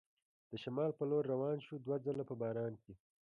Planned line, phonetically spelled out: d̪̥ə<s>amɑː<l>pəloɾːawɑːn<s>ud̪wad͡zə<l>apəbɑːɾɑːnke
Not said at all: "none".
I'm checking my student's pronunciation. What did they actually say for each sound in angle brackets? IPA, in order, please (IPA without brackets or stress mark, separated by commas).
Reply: ʃ, l, ʃ, l